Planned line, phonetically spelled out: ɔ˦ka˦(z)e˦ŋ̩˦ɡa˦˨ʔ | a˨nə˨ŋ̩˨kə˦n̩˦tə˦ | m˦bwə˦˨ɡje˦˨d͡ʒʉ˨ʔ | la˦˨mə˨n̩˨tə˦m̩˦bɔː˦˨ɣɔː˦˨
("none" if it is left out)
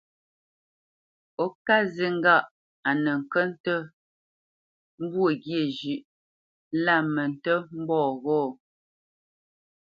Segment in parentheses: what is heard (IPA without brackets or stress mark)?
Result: z